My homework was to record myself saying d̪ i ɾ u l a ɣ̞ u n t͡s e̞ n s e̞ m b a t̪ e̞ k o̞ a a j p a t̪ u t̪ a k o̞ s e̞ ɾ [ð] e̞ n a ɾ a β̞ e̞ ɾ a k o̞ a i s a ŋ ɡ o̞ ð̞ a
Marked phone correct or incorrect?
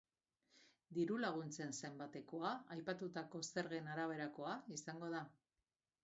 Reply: incorrect